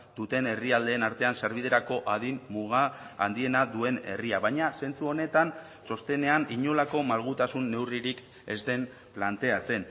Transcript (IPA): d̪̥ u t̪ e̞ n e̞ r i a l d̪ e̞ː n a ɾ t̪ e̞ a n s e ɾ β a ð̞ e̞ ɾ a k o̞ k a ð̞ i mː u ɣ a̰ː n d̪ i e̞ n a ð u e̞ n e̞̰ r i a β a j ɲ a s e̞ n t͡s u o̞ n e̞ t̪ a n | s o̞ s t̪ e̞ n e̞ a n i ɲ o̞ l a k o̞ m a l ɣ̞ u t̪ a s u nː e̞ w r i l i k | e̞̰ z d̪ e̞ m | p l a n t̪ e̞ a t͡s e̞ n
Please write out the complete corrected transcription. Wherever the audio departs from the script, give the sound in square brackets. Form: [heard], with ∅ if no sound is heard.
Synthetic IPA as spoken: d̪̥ u t̪ e̞ n e̞ r i a l d̪ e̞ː n a ɾ t̪ e̞ a n s e ɾ β [i] ð̞ e̞ ɾ a k o̞ [ʔ] a ð̞ i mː u ɣ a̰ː n d̪ i e̞ n a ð u e̞ n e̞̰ r i a β a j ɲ a s e̞ n t͡s u o̞ n e̞ t̪ a n | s o̞ s t̪ e̞ n e̞ a n i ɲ o̞ l a k o̞ m a l ɣ̞ u t̪ a s u nː e̞ w r i [ɾ] i k | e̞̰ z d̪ e̞ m | p l a n t̪ e̞ a t͡s e̞ n